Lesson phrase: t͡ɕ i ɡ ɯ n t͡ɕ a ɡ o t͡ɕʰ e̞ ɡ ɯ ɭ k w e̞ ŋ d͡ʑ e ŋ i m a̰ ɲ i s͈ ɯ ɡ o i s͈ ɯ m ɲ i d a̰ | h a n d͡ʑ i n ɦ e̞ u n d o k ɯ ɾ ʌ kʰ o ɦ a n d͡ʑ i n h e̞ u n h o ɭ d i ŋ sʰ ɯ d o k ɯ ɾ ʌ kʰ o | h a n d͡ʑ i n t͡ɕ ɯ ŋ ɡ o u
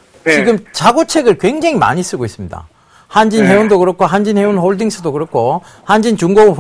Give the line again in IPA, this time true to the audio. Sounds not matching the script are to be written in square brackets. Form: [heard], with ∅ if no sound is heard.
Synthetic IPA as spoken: t͡ɕ i ɡ ɯ [m] t͡ɕ a ɡ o t͡ɕʰ e̞ ɡ ɯ ɭ k w e̞ ŋ d͡ʑ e ŋ i m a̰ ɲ i s͈ ɯ ɡ o i s͈ ɯ m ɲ i d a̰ | h a n d͡ʑ i n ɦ e̞ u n d o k ɯ ɾ ʌ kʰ o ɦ a n d͡ʑ i n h e̞ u n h o ɭ d i ŋ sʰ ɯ d o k ɯ ɾ ʌ kʰ o | h a n d͡ʑ i n t͡ɕ [u] ŋ ɡ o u